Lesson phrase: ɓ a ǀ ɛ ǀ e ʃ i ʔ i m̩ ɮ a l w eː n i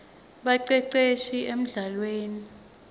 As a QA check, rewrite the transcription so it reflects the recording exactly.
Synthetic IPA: ɓ a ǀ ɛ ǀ e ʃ i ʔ e m̩ ɮ a l w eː n i